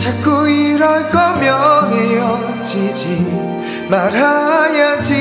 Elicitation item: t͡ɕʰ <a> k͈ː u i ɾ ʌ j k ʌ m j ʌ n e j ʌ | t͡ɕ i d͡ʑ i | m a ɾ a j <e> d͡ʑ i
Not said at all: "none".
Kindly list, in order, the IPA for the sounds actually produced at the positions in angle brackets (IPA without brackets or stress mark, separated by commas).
a, a